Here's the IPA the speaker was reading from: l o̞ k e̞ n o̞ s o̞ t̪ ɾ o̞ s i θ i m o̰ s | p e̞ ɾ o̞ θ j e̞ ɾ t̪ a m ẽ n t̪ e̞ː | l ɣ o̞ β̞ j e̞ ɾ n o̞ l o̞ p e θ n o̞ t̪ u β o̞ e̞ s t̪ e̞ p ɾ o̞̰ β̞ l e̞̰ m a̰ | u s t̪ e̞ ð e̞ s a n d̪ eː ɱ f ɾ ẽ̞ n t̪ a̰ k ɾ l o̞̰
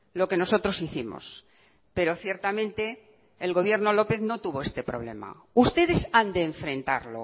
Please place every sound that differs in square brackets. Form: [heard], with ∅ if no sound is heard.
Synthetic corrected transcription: l o̞ k e̞ n o̞ s o̞ t̪ ɾ o̞ s i θ i m o̰ s | p e̞ ɾ o̞ θ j e̞ ɾ t̪ a m ẽ n t̪ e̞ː | l ɣ o̞ β̞ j e̞ ɾ n o̞ l o̞ p e θ n o̞ t̪ u β o̞ e̞ s t̪ e̞ p ɾ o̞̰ β̞ l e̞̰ m a̰ | u s t̪ e̞ ð e̞ s a n d̪ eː ɱ f ɾ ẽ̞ n t̪ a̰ [∅] ɾ l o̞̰